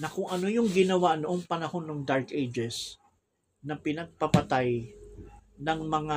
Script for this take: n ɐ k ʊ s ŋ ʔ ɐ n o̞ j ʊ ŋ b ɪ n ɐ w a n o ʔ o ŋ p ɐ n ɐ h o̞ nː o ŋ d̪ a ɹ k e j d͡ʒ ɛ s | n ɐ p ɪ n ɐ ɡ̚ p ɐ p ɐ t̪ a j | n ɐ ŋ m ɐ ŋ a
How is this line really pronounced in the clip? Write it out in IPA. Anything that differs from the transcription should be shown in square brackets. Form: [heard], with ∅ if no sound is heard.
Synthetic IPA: n ɐ k ʊ [∅] ŋ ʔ ɐ n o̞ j ʊ ŋ [ɡ] ɪ n ɐ w a n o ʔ o ŋ p ɐ n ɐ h o̞ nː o ŋ d̪ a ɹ k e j d͡ʒ ɛ s | n ɐ p ɪ n ɐ ɡ̚ p ɐ p ɐ t̪ a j | n ɐ ŋ m ɐ ŋ a